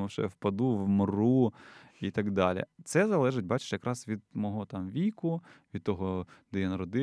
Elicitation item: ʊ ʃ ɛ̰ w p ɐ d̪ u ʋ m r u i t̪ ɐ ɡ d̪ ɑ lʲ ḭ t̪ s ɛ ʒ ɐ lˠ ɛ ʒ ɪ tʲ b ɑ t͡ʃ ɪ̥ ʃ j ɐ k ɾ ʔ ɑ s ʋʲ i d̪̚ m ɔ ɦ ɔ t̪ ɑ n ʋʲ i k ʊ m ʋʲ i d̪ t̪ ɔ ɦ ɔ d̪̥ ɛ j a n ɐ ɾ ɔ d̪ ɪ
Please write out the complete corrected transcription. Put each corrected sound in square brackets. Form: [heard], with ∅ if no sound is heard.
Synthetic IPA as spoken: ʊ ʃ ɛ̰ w p ɐ d̪ u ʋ m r u i t̪ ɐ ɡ d̪ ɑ lʲ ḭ t̪ s ɛ [z] ɐ lˠ ɛ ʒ ɪ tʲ b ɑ t͡ʃ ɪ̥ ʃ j ɐ k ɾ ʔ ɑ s ʋʲ i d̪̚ m ɔ ɦ ɔ t̪ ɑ [m] ʋʲ i k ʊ [∅] ʋʲ i d̪ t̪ ɔ ɦ ɔ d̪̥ ɛ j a n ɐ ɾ ɔ d̪ ɪ